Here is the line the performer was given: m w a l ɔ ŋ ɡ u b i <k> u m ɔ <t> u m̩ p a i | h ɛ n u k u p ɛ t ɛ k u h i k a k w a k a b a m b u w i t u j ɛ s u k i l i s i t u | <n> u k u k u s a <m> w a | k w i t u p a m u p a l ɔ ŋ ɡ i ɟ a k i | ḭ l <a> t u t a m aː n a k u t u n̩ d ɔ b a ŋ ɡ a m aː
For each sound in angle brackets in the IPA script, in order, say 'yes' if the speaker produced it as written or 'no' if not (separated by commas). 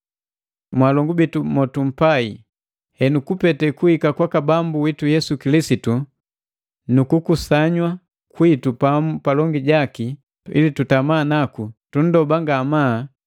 no, yes, yes, no, no